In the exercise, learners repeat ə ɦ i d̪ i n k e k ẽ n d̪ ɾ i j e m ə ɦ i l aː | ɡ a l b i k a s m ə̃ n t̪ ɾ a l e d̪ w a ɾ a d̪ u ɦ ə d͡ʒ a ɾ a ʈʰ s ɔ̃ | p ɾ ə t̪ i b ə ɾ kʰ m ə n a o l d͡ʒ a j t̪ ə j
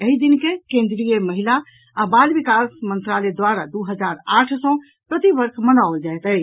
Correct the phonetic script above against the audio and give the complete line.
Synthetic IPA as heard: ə ɦ i d̪ i n k e k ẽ n d̪ ɾ i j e m ə ɦ i l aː | b a l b i k a s m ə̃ n t̪ ɾ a l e d̪ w a ɾ a d̪ u ɦ ə d͡ʒ a ɾ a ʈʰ s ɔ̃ | p ɾ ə t̪ i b ə ɾ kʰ m ə n a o l d͡ʒ a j t̪ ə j